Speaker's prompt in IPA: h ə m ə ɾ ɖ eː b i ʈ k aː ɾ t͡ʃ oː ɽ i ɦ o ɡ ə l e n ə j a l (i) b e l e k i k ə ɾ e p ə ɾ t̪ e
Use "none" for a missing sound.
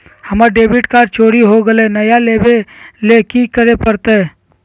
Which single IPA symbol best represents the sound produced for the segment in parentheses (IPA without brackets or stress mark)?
e